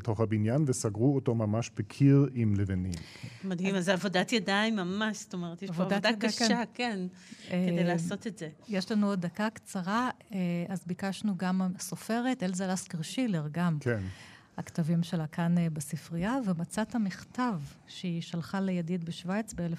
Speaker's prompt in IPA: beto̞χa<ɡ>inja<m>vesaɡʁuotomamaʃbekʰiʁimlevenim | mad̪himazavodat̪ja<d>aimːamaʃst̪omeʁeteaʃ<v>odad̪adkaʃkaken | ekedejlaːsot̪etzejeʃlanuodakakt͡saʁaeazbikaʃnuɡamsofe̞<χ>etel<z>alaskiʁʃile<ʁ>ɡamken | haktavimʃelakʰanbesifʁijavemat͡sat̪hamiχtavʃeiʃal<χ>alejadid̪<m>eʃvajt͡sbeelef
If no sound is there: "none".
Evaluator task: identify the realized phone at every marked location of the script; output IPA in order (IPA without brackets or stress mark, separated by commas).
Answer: b, n, d, v, ʁ, z, ʁ, χ, b